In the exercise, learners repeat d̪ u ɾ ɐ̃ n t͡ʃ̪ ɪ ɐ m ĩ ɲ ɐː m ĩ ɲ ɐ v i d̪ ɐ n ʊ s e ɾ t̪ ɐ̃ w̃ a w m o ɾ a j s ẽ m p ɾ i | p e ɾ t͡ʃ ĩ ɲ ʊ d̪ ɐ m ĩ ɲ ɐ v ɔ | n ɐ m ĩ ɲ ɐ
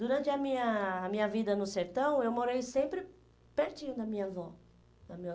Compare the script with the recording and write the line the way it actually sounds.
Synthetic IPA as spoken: d̪ u ɾ ɐ̃ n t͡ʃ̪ ɪ ɐ m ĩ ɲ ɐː m ĩ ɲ ɐ v i d̪ ɐ n ʊ s e ɾ t̪ ɐ̃ w̃ e w m o ɾ e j s ẽ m p ɾ ɪ | p e ɾ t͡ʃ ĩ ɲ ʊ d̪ ɐ m ĩ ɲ ɐ v ɔ | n ɐ m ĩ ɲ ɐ

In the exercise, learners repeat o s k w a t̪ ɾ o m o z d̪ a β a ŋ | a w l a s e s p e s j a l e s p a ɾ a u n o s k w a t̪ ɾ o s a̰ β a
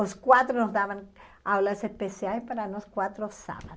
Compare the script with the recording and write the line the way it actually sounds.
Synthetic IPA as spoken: o s k w a t̪ ɾ o n o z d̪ a β a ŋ | a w l a s e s p e s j a l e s p a ɾ a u n o s k w a t̪ ɾ o s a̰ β a

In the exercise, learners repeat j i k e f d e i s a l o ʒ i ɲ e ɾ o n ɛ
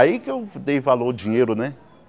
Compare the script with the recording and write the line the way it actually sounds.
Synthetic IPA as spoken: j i k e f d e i f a l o d͡ʒ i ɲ e ɾ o n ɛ

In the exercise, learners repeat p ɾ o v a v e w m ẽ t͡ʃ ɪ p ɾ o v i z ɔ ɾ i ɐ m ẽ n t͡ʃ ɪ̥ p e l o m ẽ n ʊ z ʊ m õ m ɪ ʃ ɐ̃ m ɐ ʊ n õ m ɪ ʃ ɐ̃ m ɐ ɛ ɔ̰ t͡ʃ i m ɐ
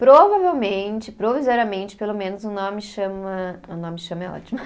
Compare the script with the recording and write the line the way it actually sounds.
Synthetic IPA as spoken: p ɾ o v a v e w m ẽ t͡ʃ ɪ p ɾ o v i z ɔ ɾ i ɐ m ẽ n t͡ʃ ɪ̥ p e l o m ẽ n ʊ z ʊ n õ m ɪ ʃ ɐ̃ m ɐ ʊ n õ m ɪ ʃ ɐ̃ m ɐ ɛ ɔ̰ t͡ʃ i m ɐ

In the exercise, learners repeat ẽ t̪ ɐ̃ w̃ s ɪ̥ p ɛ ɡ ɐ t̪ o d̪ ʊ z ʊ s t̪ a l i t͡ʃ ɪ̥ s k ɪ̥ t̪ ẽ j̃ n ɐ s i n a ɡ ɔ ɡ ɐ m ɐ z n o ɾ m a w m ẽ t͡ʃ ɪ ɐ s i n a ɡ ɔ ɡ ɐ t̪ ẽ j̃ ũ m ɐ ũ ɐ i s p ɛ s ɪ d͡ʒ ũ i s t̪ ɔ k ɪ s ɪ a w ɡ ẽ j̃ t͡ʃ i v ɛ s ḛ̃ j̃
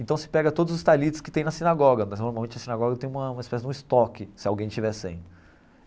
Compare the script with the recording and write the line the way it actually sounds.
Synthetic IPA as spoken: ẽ t̪ ɐ̃ w̃ s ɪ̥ p ɛ ɡ ɐ t̪ o d̪ ʊ z ʊ s t̪ a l i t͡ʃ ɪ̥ s k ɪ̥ t̪ ẽ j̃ n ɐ s i n a ɡ ɔ ɡ ɐ m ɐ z n o ɾ m a w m ẽ t͡ʃ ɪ ɐ s i n a ɡ ɔ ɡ ɐ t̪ ẽ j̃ ũ m ɐ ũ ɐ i s p ɛ s ɪ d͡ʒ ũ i s t̪ ɔ k ɪ s ɪ a w ɡ ẽ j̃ t͡ʃ i v ɛ s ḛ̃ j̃

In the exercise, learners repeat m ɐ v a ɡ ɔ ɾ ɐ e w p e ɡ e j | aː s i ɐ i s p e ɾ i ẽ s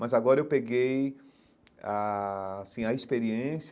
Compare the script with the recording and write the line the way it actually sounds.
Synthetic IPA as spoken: m ɐ z a ɡ ɔ ɾ ɐ e w p e ɡ e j | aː s ĩ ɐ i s p e ɾ i ẽ s

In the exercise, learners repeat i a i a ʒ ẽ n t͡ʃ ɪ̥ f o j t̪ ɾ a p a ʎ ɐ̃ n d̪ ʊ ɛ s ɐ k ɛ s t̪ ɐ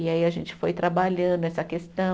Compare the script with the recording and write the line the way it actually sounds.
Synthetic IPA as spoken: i a i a ʒ ẽ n t͡ʃ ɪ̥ f o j t̪ ɾ a b a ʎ ɐ̃ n d̪ ʊ ɛ s ɐ k e s t̪ ɐ̃

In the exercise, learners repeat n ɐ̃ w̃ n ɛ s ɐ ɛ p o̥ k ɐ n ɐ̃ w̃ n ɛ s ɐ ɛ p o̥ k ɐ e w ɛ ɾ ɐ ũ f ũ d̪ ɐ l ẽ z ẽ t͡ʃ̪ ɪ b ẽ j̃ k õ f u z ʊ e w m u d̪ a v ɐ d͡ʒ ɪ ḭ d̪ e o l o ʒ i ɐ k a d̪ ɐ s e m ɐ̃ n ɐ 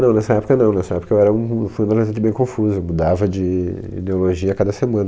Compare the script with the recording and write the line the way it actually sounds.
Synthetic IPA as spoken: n ɐ̃ w̃ n ɛ s ɐ ɛ p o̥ k ɐ n ɐ̃ w̃ n ɛ s ɐ ɛ p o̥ k ɐ e w ɛ ɾ ɐ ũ f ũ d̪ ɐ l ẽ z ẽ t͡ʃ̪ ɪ b ẽ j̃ k õ f u z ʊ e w m u d̪ a v ɐ d͡ʒ ɪ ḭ d̪ e o l o ʒ i ɐ k a d̪ ɐ s e m ɐ̃ n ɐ

